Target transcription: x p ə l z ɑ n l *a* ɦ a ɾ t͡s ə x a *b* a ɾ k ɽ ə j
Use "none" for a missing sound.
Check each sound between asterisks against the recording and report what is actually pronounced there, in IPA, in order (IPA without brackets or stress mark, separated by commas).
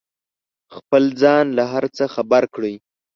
a, b